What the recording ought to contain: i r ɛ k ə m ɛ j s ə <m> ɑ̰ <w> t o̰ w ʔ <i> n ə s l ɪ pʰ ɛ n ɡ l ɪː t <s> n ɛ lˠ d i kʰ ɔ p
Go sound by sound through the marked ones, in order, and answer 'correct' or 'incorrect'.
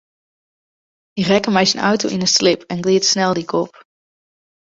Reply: incorrect, correct, incorrect, correct

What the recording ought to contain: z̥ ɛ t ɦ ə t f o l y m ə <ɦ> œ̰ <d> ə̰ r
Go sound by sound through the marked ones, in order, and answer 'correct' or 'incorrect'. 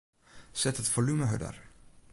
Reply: correct, correct

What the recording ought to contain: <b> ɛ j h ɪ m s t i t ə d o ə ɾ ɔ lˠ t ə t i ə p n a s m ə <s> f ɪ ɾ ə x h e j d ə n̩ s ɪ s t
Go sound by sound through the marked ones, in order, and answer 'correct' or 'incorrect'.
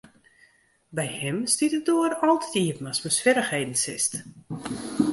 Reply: correct, correct

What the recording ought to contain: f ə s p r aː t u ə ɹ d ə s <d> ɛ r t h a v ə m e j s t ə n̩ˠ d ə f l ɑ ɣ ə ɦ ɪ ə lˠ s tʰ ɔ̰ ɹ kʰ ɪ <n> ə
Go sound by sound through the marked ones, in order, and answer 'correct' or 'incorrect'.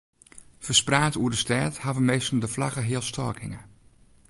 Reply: incorrect, incorrect

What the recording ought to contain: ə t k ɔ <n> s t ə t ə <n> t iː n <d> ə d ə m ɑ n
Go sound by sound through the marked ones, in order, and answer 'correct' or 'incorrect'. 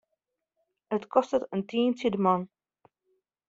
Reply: incorrect, correct, incorrect

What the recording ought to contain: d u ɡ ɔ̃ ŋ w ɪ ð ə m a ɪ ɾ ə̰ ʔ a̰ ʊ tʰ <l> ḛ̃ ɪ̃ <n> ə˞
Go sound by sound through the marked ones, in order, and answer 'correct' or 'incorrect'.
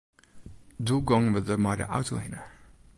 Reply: correct, correct

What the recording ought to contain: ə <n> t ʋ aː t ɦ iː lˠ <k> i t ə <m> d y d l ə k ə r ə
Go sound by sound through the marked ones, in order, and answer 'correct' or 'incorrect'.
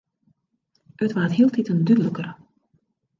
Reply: incorrect, incorrect, incorrect

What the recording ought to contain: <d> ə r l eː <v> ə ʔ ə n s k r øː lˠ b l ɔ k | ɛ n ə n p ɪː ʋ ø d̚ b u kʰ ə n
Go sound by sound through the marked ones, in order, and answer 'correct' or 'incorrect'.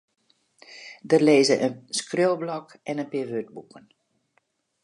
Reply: correct, incorrect

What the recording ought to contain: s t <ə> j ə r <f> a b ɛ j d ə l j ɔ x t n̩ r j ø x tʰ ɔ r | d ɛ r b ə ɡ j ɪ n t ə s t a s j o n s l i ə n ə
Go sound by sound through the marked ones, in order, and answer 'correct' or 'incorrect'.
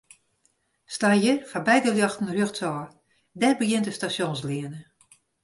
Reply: incorrect, correct

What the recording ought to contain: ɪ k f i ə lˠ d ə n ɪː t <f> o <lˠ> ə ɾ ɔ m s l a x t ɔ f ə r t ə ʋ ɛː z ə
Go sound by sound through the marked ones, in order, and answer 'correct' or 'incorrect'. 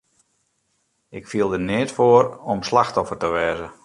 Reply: correct, incorrect

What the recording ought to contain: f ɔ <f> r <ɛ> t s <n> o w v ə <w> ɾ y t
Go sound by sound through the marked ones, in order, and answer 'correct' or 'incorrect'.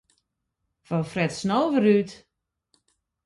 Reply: correct, correct, correct, incorrect

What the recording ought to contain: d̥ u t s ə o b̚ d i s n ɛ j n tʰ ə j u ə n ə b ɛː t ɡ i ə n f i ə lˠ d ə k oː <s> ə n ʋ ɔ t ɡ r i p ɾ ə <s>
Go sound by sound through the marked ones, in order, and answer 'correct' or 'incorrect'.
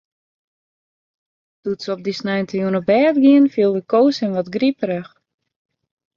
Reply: correct, incorrect

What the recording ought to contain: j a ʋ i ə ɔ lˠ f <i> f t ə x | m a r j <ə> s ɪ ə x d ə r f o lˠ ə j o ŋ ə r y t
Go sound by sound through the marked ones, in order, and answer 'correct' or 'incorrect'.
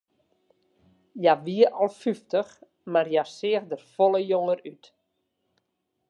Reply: incorrect, incorrect

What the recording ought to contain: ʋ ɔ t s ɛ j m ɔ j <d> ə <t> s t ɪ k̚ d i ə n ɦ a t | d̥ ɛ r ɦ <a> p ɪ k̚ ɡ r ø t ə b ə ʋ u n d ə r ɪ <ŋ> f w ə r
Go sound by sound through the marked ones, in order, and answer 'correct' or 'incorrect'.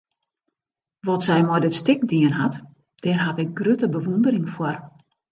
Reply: correct, correct, correct, correct

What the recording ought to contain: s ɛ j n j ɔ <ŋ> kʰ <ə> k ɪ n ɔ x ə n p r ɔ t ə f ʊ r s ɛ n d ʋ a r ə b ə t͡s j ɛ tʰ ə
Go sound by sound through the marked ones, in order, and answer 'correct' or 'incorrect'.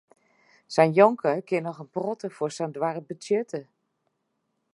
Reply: correct, correct

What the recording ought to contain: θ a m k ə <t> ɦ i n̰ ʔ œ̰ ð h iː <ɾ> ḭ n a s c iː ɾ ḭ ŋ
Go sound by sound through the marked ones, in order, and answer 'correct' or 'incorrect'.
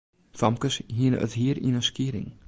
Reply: incorrect, correct

